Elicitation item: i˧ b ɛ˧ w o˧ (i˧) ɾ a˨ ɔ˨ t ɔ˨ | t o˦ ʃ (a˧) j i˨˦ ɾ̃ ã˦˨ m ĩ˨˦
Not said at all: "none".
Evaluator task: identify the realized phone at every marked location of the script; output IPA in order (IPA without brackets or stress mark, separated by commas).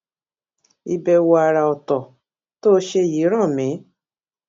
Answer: a˧, e˧